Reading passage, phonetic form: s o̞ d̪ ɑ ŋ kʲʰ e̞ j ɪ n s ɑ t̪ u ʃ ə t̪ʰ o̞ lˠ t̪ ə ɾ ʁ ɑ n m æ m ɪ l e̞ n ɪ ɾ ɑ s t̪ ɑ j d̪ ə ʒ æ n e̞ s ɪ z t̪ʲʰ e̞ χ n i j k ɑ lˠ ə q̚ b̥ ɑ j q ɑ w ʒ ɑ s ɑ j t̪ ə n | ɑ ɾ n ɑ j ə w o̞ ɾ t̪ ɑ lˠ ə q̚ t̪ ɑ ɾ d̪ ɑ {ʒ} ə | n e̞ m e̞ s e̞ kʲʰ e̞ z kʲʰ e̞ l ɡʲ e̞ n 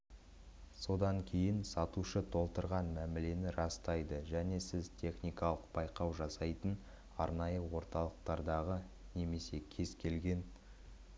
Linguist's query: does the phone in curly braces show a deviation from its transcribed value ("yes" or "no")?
yes